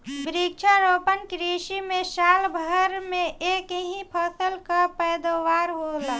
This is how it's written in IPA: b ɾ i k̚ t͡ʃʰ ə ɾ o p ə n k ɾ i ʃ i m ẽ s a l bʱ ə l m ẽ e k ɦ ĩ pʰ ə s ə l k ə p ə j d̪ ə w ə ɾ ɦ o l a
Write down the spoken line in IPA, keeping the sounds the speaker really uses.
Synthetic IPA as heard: b ɾ i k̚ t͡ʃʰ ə ɾ o p ə n k ɾ i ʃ i m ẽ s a l bʱ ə ɾ m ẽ e k ɦ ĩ pʰ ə s ə l k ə p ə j d̪ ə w a ɾ ɦ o l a